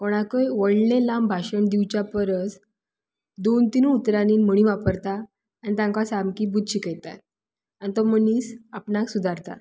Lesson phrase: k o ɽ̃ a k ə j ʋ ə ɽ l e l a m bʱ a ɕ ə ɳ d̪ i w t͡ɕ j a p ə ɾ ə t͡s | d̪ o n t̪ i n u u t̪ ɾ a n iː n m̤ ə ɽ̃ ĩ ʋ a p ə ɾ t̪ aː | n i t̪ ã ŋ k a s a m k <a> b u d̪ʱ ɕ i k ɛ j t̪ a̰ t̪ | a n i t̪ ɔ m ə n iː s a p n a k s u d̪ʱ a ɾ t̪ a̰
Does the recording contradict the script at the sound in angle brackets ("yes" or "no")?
yes